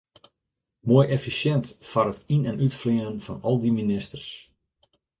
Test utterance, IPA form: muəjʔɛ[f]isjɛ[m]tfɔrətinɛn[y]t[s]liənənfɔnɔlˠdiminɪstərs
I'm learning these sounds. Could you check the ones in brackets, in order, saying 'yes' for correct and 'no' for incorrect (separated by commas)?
yes, no, yes, no